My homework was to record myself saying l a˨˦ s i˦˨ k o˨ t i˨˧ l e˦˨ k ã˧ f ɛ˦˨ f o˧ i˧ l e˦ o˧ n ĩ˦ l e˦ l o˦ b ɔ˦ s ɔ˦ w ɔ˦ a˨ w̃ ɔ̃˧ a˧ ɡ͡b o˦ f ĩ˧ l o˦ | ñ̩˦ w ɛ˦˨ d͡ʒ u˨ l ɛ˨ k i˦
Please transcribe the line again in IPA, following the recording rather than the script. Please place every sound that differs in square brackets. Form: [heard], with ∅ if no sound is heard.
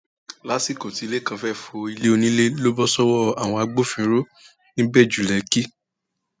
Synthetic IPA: l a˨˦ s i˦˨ k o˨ t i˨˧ l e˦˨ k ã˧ f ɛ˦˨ f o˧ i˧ l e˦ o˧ n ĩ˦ l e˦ l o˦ b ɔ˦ s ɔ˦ w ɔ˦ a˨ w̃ ɔ̃˧ a˧ ɡ͡b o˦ f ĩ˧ [ɾ] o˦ | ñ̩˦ [b] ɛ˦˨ d͡ʒ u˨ l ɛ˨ k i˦